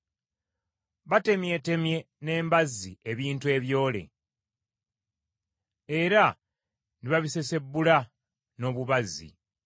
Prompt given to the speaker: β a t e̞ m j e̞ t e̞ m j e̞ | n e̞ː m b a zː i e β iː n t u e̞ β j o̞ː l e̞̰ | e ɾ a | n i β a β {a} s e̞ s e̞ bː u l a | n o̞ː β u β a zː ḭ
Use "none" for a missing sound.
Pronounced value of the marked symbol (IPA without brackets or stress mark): i